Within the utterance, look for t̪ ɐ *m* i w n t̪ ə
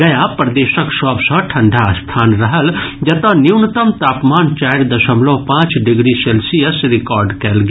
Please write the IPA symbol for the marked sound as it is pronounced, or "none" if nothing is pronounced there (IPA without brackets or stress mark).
n